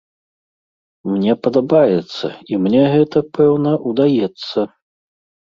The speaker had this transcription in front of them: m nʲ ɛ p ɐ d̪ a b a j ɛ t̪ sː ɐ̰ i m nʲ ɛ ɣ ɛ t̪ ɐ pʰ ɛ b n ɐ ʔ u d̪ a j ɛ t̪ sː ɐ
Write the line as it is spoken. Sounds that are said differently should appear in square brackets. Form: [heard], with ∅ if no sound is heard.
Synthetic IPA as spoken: m nʲ ɛ p ɐ d̪ a b a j ɛ t̪ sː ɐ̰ i m nʲ ɛ ɣ ɛ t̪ ɐ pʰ ɛ [w] n ɐ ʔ u d̪ a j ɛ t̪ sː ɐ

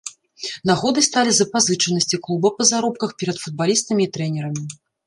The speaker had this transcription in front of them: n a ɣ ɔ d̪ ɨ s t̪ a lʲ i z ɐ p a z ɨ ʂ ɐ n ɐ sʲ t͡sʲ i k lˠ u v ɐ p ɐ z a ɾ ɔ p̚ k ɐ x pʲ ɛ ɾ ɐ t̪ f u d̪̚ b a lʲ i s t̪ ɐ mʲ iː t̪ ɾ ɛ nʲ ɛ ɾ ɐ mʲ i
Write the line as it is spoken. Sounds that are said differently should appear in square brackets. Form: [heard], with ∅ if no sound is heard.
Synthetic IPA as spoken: n a ɣ ɔ d̪ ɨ s t̪ a lʲ i z ɐ p a z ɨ [t͡ʂ] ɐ n ɐ sʲ t͡sʲ i k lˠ u [b] ɐ p ɐ z a ɾ ɔ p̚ k ɐ x pʲ ɛ ɾ ɐ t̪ f u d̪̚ b a lʲ i s t̪ ɐ mʲ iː t̪ ɾ ɛ nʲ ɛ ɾ ɐ mʲ i

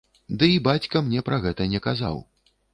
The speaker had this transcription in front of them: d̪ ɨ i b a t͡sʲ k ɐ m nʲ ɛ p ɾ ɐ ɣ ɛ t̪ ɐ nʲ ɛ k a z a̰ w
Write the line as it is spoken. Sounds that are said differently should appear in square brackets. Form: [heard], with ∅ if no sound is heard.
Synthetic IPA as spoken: d̪ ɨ i b a t͡sʲ k ɐ m nʲ ɛ p ɾ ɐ ɣ ɛ t̪ ɐ nʲ ɛ k a z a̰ w

